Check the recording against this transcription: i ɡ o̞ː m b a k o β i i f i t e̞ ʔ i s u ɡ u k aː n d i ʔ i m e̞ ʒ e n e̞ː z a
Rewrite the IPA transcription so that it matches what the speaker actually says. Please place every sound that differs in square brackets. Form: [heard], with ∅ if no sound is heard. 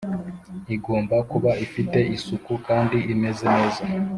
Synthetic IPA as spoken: i ɡ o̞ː m b a k [u] β [a] i f i t e̞ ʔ i s u [k] u k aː n d i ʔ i m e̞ [z] e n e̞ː z a

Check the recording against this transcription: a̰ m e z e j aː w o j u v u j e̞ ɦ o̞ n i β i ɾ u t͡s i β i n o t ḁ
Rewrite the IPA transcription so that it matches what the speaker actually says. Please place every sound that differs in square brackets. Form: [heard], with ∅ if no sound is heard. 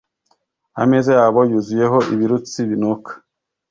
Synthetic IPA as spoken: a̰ m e z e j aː [β] o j u [z] u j e̞ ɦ o̞ [∅] i β i ɾ u t͡s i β i n o [k] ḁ

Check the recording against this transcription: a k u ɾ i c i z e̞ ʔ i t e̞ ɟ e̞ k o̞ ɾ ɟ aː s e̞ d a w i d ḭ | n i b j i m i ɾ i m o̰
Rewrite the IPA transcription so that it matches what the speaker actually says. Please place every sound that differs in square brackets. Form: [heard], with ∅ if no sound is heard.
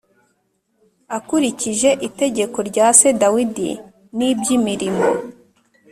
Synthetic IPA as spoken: a k u ɾ i c i [ʒ] e̞ ʔ i t e̞ ɟ e̞ k o̞ ɾ ɟ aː s e̞ d a w i d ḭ | n i b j i m i ɾ i m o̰

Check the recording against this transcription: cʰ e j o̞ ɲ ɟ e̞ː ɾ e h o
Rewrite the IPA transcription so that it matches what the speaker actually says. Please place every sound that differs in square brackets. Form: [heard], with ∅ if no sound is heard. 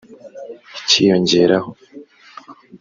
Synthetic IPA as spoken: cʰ [i] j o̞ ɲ ɟ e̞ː ɾ [a] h o

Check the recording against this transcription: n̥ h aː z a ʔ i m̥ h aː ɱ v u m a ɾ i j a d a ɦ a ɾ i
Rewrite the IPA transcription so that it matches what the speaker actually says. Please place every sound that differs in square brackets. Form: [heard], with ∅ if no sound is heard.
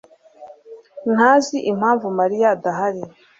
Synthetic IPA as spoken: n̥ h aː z [i] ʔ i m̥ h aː ɱ v u m a ɾ i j a d a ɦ a ɾ i

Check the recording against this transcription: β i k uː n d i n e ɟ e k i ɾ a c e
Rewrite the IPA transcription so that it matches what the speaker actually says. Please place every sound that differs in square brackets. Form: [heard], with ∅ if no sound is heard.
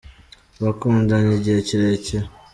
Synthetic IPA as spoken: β [a] k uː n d [a] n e ɟ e [c] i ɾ [e] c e

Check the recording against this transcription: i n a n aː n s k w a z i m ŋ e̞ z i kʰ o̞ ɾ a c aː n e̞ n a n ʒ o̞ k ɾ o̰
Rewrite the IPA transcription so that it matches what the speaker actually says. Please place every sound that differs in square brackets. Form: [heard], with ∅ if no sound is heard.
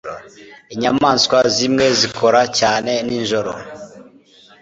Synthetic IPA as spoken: i [ɲ] a [m] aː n s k w a z i m ŋ e̞ z i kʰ o̞ ɾ a c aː n e̞ n [i] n ʒ o̞ [∅] ɾ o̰

